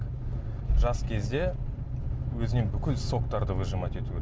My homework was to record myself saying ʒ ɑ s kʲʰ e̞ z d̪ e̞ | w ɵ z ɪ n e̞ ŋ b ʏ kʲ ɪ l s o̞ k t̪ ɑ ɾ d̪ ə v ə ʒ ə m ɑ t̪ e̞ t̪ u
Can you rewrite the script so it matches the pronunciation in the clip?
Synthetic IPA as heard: ʒ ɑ s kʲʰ e̞ z d̪ e̞ | w ɵ z ɪ n e̞ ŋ b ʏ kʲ ɪ l s o̞ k t̪ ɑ ɾ d̪ ə v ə ʒ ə m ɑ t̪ e̞ t̪ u